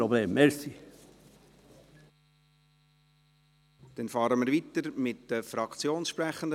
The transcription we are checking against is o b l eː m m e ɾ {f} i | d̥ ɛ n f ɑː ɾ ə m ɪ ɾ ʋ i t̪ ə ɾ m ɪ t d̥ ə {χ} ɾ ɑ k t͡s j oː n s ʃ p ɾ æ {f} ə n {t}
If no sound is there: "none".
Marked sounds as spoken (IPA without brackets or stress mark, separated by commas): s, f, χ, d